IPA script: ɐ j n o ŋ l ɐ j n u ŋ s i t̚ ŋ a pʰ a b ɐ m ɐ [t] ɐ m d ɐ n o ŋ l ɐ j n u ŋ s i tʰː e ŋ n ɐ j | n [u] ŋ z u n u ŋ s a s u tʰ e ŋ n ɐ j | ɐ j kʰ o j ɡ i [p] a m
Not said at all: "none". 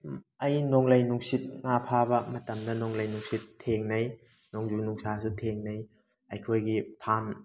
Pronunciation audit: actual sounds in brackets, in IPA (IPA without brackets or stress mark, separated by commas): t, o, pʰ